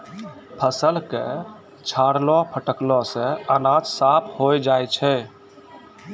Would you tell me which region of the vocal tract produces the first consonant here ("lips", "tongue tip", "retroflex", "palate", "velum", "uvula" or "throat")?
lips